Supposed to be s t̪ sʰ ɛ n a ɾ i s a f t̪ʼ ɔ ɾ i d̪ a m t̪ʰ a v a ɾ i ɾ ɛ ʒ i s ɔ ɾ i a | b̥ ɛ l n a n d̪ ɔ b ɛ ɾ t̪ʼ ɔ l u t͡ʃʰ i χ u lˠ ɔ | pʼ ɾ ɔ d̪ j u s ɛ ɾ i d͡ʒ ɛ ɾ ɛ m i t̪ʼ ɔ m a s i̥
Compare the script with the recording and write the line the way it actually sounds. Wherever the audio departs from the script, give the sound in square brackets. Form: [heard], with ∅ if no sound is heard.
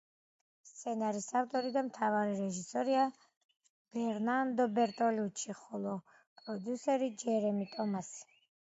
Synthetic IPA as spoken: s t̪ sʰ ɛ n a ɾ i s a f t̪ʼ ɔ ɾ i d̪ a m t̪ʰ a v a ɾ i ɾ ɛ ʒ i s ɔ ɾ i a | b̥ ɛ [ɾ] n a n d̪ ɔ b ɛ ɾ t̪ʼ ɔ l u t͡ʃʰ i χ [ɔ] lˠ ɔ | pʼ ɾ ɔ d̪ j u s ɛ ɾ i d͡ʒ ɛ ɾ ɛ m i t̪ʼ ɔ m a s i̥